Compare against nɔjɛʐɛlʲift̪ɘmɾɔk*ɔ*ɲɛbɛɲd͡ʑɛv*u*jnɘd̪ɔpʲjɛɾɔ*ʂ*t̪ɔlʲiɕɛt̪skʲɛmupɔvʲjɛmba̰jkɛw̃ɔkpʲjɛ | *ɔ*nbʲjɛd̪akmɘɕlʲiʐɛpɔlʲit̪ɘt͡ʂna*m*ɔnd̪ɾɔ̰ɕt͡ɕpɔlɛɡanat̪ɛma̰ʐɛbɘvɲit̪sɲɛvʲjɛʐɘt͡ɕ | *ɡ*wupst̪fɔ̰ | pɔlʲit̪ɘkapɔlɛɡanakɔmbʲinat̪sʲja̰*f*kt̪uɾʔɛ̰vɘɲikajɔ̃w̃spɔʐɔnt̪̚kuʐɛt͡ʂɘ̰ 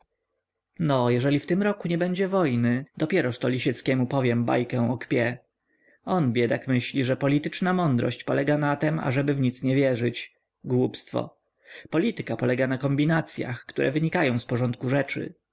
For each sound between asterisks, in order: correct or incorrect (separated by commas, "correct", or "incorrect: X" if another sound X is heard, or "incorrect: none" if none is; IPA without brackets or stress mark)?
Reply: incorrect: u, incorrect: ɔ, correct, correct, correct, correct, incorrect: x